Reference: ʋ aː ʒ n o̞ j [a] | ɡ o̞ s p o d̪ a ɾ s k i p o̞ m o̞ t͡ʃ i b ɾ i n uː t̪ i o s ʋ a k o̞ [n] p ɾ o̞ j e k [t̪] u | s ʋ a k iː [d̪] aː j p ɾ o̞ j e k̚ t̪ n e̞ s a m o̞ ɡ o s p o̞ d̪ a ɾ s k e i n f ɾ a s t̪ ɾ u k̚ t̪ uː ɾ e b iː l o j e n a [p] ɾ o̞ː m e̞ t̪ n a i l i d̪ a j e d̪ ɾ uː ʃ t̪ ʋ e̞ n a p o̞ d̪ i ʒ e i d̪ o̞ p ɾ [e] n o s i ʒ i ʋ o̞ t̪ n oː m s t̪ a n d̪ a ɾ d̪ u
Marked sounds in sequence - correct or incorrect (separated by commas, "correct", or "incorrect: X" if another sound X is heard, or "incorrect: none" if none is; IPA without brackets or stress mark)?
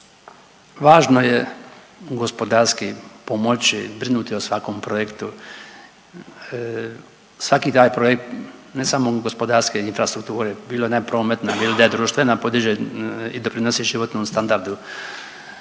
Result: incorrect: e, incorrect: m, correct, incorrect: t̪, correct, incorrect: i